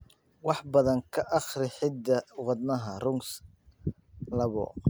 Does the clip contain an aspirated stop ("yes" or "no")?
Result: yes